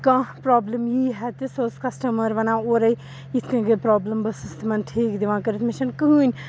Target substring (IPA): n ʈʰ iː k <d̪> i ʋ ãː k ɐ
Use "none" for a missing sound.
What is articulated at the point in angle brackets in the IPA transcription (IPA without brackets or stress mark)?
d̪